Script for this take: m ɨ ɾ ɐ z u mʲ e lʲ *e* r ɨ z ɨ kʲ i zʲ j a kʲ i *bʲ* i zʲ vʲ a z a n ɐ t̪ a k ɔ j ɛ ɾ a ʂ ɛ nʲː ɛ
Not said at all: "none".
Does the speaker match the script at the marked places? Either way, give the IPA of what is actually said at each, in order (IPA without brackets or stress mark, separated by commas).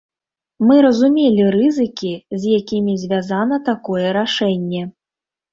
i, mʲ